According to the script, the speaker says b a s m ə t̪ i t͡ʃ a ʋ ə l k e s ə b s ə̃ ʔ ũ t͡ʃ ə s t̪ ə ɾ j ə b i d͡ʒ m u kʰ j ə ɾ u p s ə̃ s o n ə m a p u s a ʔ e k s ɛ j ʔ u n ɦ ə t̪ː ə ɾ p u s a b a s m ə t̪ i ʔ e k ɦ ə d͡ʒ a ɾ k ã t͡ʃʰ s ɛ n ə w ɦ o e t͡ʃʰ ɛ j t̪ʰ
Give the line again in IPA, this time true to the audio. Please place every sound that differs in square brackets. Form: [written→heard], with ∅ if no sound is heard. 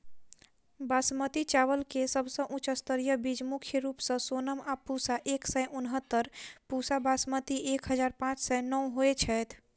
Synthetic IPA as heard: b a s m ə t̪ i t͡ʃ a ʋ ə l k e s ə b s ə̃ ʔ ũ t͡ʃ ə s t̪ ə ɾ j ə b i d͡ʒ m u kʰ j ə ɾ u p s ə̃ s o n ə m a p u s a ʔ e k s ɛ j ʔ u n ɦ ə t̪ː ə ɾ p u s a b a s m ə t̪ i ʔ e k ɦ ə d͡ʒ a ɾ [k→p] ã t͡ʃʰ s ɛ n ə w ɦ o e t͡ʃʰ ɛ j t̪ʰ